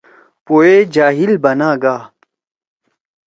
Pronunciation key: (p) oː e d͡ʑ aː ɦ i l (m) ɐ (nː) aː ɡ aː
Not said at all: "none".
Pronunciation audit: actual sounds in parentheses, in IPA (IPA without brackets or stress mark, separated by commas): p, b, n